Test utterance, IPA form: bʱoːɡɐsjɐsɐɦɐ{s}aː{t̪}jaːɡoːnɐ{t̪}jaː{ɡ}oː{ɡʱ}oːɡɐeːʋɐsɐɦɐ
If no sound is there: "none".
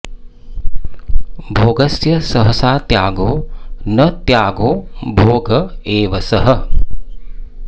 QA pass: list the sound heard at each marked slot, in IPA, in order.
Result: s, t̪, t̪, ɡ, bʱ

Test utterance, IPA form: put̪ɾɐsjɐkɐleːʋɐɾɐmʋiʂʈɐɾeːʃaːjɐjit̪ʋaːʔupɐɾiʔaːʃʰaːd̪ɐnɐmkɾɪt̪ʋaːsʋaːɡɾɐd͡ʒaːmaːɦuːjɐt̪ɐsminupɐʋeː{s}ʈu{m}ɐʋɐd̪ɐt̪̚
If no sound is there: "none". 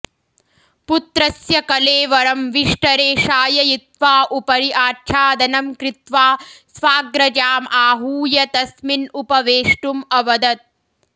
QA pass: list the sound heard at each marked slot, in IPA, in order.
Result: ʂ, m

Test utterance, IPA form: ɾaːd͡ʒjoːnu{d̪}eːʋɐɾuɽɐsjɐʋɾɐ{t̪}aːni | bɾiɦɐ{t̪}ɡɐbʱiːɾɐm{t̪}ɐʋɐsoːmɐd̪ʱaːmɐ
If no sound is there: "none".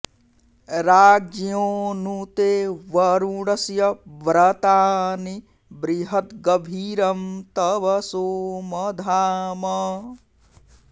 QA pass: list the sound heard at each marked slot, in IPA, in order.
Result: t̪, t̪, t̪, t̪

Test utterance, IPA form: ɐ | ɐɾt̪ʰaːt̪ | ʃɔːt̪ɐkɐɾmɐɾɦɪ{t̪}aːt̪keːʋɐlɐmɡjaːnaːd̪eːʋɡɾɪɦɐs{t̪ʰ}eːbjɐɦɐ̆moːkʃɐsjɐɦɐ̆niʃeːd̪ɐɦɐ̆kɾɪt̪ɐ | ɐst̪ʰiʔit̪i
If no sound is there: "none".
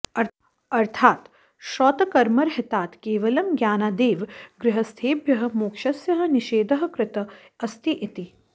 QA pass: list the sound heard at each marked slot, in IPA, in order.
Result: t̪, t̪ʰ

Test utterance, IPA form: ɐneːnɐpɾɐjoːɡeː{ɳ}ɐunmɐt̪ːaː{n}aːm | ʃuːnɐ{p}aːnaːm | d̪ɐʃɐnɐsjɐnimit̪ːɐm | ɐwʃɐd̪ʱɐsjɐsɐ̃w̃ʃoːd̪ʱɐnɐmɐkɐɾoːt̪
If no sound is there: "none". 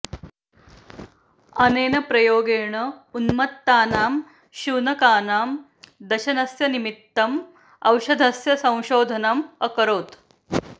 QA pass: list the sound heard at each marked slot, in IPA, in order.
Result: ɳ, n, k

